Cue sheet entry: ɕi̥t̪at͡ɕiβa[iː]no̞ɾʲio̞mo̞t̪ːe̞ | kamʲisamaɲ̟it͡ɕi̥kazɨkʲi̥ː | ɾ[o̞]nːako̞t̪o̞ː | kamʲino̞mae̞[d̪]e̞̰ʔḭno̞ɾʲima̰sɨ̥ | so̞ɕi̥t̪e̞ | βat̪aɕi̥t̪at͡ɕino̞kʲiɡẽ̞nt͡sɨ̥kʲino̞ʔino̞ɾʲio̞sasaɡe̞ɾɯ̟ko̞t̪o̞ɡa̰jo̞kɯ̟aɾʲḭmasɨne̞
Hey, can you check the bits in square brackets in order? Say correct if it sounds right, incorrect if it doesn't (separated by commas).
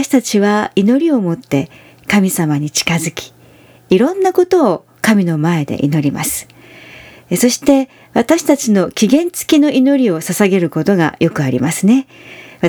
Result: incorrect, incorrect, correct